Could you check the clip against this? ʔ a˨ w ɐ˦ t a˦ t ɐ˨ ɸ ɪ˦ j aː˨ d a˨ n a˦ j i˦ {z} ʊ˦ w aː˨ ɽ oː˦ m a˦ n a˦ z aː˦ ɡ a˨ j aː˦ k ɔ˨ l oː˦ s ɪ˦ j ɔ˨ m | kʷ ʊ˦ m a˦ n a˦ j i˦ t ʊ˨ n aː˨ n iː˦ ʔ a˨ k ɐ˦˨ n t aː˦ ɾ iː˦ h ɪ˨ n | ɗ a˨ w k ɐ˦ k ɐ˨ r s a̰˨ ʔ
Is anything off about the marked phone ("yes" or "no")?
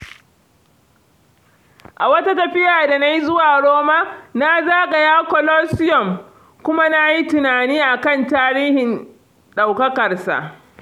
no